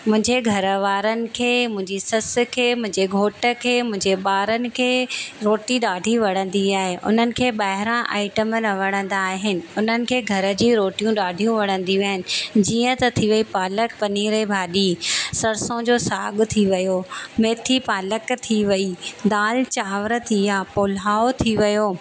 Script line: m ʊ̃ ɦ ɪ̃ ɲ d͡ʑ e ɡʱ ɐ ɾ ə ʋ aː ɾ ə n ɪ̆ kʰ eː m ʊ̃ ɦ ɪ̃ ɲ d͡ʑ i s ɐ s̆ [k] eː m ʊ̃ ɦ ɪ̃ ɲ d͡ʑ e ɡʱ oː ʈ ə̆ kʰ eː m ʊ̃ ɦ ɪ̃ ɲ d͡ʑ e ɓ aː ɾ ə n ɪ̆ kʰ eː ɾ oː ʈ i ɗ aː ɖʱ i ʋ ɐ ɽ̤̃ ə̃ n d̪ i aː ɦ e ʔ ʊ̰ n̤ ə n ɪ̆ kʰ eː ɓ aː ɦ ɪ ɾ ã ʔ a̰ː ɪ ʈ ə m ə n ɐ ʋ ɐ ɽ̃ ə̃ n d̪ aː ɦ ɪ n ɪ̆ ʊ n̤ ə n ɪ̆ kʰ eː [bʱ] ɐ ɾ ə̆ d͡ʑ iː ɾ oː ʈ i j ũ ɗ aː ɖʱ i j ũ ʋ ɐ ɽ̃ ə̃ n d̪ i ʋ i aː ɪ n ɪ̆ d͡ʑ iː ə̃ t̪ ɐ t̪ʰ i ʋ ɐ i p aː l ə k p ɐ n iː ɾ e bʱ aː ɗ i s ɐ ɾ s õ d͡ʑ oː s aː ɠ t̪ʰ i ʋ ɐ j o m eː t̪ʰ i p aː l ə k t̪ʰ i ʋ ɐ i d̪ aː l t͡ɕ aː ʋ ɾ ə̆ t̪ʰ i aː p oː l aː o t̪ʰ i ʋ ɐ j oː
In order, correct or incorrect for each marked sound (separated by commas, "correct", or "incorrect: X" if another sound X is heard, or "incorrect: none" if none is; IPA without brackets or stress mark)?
incorrect: kʰ, incorrect: ɡʱ